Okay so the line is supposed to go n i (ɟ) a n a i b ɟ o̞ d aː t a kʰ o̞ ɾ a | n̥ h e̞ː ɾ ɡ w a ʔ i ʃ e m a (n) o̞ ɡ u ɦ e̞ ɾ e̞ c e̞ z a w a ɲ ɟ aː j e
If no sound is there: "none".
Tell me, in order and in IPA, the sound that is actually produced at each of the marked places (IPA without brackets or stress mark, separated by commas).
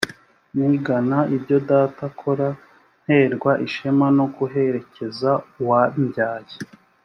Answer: ɡ, n